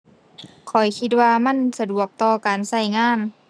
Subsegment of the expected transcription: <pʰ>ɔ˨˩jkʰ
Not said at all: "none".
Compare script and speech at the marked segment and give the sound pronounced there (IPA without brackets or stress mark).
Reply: kʰ